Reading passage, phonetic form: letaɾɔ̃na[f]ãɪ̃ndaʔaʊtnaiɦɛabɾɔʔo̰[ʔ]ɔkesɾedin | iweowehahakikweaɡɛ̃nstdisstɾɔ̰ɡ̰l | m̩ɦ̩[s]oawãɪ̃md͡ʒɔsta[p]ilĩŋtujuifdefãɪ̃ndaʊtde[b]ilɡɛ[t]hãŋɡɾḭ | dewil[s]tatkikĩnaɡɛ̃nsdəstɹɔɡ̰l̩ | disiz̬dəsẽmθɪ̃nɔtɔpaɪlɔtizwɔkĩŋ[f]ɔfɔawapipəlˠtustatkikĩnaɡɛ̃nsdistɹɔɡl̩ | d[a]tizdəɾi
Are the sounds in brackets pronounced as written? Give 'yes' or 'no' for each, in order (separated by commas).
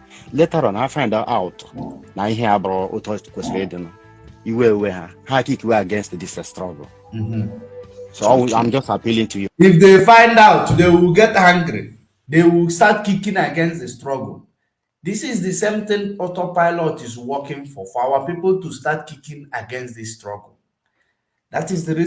yes, no, yes, yes, no, yes, yes, yes, yes